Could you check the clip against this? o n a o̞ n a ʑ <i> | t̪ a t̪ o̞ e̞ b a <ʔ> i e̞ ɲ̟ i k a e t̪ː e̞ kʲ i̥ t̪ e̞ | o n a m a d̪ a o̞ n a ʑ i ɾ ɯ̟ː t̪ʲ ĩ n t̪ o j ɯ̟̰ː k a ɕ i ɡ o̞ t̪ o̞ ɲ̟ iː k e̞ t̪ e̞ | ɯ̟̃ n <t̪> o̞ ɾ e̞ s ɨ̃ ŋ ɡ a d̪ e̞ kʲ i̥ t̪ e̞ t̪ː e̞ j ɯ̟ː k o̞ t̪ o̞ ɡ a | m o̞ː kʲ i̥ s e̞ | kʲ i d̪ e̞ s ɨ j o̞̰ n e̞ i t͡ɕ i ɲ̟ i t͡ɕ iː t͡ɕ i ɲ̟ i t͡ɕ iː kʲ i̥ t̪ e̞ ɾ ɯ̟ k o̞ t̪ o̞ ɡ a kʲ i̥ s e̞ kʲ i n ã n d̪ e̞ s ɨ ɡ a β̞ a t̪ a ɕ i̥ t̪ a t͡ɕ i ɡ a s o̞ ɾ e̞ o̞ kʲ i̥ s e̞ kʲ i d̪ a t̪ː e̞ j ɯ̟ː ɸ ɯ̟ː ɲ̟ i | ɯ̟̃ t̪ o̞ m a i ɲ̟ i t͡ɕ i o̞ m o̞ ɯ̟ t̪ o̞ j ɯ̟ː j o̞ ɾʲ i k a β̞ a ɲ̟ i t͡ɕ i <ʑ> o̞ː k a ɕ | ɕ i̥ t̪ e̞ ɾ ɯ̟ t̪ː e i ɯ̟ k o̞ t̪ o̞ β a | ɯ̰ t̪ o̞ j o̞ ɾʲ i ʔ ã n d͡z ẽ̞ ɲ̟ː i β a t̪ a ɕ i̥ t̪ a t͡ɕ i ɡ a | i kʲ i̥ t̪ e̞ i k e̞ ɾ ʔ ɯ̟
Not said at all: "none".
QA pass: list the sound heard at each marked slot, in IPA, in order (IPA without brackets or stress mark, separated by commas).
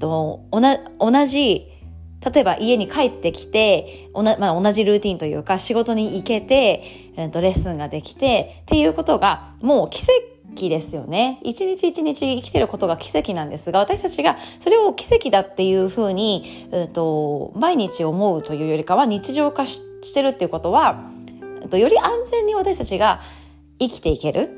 i, ʔ, t̪, ʑ